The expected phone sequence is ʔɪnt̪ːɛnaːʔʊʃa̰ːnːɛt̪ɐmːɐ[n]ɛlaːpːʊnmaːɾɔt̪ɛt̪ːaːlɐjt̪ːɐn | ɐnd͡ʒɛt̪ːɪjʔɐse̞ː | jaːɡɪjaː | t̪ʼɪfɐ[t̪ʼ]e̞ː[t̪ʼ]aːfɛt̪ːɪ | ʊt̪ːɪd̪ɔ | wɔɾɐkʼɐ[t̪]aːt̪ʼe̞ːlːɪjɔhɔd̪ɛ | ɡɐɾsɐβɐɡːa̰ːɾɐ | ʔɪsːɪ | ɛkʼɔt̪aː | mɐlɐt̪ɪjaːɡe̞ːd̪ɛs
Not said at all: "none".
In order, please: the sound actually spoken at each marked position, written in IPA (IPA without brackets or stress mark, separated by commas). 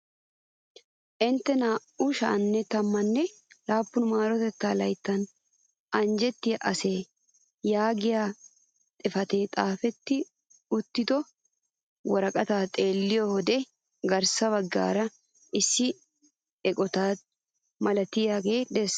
nː, t̪, t̪ʼ, t̪